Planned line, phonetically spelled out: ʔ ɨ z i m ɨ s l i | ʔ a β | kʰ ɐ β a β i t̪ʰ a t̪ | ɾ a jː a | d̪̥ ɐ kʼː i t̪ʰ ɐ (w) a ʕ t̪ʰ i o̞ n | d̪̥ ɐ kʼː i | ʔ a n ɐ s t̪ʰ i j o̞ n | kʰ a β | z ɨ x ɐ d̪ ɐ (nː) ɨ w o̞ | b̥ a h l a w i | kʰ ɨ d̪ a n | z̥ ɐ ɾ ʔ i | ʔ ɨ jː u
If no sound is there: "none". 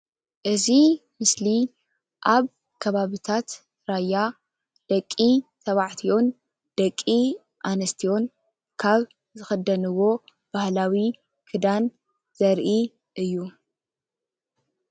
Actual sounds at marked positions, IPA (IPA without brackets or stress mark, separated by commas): β, n